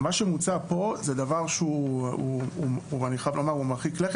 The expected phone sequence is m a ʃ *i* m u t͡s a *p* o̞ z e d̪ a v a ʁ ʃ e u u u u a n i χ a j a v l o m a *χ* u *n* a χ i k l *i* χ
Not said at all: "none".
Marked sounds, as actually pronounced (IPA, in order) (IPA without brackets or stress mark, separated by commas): e, p, ʁ, m, e